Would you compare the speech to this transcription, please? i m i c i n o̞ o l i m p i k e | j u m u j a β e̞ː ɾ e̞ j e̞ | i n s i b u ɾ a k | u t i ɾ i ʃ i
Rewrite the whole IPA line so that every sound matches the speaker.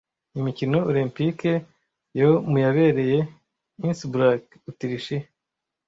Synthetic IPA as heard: i m i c i n o̞ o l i m p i k e | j o m u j a β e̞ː ɾ e̞ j e̞ | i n s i b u ɾ a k | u t i ɾ i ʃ i